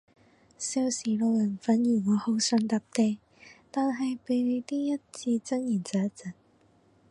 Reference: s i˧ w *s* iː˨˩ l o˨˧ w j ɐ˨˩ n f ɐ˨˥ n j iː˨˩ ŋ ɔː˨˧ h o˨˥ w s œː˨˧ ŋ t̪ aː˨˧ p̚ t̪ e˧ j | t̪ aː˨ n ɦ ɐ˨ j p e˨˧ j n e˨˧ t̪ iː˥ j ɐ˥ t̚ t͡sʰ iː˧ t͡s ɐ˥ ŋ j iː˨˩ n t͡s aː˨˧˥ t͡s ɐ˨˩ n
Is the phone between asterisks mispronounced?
no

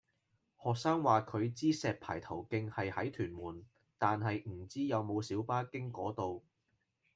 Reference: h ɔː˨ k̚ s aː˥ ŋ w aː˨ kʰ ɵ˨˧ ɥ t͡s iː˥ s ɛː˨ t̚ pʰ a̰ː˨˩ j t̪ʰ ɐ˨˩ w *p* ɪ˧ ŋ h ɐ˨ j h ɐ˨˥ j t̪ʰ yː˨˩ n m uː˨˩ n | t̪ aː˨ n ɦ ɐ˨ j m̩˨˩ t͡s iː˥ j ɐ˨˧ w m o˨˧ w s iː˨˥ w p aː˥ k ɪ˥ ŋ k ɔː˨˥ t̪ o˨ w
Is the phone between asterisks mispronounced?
yes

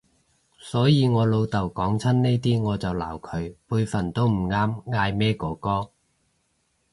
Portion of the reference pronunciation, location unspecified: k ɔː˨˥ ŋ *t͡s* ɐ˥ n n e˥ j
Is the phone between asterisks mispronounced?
yes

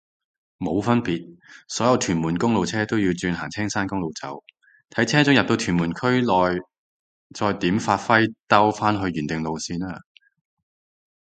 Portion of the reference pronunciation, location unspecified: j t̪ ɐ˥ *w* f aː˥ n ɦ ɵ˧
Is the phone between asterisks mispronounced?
no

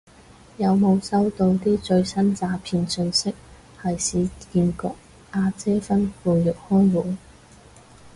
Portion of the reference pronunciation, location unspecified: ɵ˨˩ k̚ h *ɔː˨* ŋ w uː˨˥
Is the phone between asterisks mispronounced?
yes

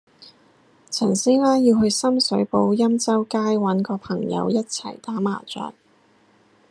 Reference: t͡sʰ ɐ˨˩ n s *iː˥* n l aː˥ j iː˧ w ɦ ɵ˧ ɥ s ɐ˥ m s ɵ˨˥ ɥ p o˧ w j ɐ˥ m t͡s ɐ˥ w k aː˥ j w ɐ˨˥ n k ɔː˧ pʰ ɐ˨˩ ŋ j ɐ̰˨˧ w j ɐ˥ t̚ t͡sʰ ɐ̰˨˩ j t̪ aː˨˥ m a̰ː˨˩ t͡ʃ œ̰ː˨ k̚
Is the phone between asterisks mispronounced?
no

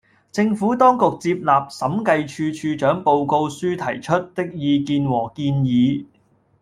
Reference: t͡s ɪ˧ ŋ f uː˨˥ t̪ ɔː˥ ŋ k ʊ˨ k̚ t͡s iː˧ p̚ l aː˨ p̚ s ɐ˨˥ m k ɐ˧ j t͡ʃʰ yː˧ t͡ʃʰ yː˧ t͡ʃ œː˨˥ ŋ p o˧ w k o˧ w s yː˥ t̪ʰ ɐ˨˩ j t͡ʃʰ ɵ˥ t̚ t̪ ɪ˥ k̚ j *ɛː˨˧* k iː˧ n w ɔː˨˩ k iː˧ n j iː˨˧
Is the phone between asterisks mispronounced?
yes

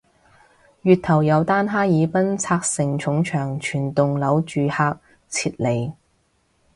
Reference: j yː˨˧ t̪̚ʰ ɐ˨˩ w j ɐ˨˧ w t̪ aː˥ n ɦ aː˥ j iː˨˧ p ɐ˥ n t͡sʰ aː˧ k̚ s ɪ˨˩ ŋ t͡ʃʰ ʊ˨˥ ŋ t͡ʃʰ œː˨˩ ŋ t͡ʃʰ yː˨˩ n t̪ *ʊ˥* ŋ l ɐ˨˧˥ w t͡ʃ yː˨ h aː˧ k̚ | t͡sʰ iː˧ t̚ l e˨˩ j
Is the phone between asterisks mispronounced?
yes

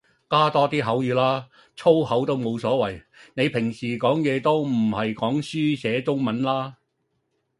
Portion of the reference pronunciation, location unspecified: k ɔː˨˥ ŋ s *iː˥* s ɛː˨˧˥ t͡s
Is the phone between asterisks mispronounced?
yes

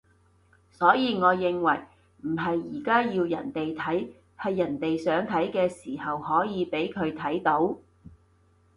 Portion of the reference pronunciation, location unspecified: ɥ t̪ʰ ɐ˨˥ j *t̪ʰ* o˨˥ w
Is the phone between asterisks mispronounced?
yes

